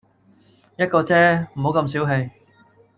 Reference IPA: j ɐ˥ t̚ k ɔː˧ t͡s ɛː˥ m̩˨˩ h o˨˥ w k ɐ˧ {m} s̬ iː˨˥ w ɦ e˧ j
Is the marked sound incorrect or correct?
correct